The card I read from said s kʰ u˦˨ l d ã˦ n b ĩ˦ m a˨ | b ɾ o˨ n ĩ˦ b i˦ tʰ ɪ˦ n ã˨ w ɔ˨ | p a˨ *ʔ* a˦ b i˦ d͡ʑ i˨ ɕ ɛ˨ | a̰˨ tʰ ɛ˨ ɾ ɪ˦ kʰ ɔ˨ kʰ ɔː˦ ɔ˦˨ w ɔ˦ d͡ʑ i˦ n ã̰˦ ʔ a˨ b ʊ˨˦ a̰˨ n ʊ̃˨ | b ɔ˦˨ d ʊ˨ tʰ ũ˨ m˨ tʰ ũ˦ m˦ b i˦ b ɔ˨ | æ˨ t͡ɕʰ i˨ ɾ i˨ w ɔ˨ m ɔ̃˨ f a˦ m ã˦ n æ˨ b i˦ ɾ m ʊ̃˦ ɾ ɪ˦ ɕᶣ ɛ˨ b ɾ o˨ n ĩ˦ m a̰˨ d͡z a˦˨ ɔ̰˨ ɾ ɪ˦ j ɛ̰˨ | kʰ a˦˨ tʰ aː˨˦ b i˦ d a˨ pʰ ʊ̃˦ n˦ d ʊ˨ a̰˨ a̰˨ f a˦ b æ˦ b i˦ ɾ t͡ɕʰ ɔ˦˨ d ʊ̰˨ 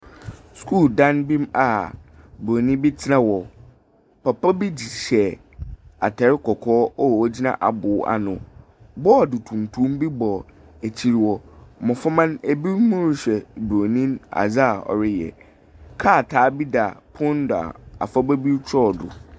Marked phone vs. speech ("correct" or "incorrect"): incorrect